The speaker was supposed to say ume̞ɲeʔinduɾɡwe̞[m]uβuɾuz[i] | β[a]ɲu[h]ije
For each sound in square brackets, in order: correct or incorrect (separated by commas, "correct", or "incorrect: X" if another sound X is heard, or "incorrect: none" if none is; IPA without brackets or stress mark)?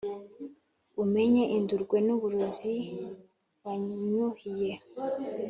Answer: incorrect: n, correct, correct, correct